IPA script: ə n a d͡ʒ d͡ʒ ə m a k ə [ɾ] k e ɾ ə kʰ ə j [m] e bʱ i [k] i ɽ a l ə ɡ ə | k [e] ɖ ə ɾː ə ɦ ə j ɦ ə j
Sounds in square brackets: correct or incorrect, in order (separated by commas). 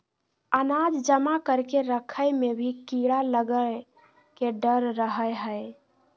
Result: correct, correct, correct, correct